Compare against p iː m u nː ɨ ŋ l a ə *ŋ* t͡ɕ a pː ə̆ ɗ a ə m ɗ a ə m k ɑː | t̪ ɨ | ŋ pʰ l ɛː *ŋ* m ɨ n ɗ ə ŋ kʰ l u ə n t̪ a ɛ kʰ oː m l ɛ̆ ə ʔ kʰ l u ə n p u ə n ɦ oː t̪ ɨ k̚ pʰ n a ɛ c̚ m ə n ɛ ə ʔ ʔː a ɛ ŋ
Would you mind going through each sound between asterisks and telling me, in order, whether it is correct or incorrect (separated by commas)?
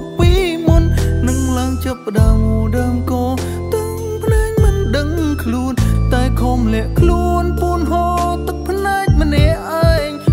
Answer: correct, correct